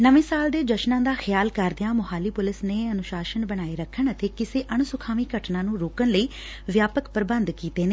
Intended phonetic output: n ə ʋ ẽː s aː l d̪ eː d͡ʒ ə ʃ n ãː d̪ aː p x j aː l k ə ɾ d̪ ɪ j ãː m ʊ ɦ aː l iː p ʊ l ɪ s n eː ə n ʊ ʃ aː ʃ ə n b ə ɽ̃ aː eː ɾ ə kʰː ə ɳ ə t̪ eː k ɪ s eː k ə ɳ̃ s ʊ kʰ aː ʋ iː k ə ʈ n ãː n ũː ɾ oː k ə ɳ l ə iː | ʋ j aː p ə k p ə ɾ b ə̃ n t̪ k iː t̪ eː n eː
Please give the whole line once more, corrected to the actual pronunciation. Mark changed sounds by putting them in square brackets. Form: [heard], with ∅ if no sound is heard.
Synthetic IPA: n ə ʋ ẽː s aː l d̪ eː d͡ʒ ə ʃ n ãː d̪ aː [∅] x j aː l k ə ɾ d̪ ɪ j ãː m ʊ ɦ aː l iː p ʊ l ɪ s n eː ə n ʊ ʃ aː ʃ ə n b ə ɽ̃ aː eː ɾ ə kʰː ə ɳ ə t̪ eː k ɪ s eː [ʔ] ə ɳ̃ s ʊ kʰ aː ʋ iː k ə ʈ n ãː n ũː ɾ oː k ə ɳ l ə iː | ʋ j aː p ə k p ə ɾ b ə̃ n [d̪] k iː t̪ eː n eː